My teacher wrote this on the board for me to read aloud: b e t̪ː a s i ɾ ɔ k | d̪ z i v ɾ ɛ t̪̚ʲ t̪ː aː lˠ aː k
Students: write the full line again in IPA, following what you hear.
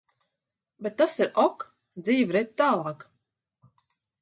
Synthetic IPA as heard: b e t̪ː a s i ɾ ɔ k | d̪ z iː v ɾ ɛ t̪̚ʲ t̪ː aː lˠ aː k